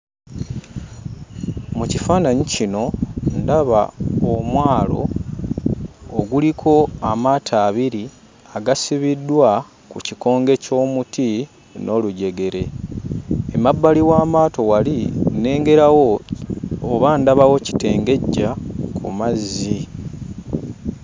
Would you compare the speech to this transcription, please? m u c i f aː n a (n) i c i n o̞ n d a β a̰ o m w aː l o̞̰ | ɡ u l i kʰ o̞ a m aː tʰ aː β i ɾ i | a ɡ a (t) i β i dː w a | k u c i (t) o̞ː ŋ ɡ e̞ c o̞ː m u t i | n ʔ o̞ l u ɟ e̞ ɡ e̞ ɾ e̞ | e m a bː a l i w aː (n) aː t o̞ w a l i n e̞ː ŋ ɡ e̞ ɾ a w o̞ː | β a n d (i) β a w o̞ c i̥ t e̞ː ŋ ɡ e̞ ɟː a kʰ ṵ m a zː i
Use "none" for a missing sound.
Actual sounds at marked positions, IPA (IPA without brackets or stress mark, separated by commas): ɲ, s, k, m, a